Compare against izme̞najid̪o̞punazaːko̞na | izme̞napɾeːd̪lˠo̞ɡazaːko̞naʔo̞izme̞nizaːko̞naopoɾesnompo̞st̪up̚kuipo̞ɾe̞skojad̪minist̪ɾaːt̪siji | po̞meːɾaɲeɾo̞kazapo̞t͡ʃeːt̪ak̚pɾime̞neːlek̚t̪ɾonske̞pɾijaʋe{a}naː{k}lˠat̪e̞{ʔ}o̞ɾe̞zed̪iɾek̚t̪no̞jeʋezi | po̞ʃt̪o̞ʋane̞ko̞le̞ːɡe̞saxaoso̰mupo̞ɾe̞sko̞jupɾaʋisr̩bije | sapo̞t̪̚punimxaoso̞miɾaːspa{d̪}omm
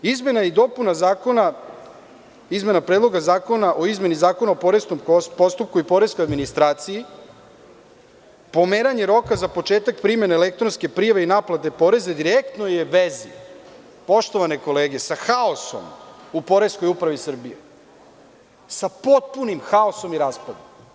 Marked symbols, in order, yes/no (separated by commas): no, no, no, yes